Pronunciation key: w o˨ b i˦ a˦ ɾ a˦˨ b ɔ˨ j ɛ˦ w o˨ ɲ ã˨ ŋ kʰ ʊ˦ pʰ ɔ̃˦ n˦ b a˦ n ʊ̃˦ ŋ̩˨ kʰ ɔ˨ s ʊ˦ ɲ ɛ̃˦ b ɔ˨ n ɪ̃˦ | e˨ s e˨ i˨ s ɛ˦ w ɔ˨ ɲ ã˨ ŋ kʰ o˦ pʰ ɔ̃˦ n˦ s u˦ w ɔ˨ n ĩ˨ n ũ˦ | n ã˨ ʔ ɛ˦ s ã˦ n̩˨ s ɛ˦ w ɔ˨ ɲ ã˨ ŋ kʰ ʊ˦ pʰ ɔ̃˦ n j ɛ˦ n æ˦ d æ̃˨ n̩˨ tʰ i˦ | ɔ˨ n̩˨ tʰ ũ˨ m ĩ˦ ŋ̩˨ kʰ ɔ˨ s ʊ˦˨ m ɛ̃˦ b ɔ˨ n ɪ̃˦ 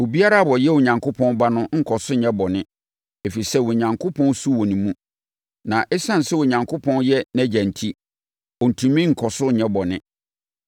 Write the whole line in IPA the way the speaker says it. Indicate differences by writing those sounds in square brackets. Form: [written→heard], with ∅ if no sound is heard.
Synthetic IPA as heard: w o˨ b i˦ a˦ ɾ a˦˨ b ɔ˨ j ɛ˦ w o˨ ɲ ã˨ ŋ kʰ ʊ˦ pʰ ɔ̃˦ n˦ b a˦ n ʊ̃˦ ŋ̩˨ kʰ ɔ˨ s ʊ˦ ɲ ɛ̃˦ b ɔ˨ n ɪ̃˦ | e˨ [s→f] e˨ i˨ s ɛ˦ w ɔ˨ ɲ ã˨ ŋ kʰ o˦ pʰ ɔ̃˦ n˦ s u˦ w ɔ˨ n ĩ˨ [n→m] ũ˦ | n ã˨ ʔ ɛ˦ s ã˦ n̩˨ s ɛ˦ w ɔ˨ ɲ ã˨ ŋ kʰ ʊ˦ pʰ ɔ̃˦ n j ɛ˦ n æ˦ [d→d͡ʑ] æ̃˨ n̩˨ tʰ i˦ | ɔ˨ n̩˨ tʰ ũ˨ m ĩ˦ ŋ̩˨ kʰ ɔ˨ s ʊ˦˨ [m→ɲ] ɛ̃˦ b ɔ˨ n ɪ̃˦